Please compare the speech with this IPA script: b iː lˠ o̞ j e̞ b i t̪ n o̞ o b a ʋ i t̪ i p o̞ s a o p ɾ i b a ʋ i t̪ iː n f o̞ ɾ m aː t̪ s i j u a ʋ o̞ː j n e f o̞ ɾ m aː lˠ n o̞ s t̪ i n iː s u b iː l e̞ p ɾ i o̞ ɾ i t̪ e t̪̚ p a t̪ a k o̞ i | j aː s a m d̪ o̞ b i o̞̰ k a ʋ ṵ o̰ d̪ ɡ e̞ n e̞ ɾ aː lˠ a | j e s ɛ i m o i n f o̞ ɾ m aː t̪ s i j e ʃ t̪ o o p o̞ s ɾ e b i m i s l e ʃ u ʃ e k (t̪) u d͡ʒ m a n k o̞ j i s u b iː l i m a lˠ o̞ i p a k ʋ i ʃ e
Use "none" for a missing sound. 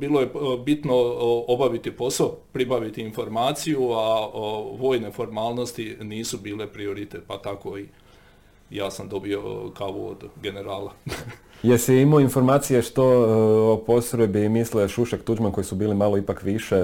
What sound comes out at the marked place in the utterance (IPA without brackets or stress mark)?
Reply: t̪